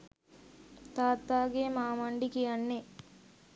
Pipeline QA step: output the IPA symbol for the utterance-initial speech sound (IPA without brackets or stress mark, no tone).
t̪